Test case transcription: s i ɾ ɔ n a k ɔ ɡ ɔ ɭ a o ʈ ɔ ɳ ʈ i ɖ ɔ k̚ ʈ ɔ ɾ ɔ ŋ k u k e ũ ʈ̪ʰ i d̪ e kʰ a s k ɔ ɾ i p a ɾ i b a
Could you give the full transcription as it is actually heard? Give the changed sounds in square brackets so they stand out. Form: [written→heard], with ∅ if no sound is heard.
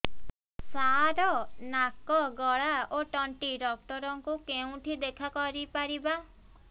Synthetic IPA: s [i→a] ɾ ɔ n a k ɔ ɡ ɔ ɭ a o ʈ ɔ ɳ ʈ i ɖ ɔ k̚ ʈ ɔ ɾ ɔ ŋ k u k e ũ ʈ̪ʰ i d̪ e kʰ a [s→∅] k ɔ ɾ i p a ɾ i b a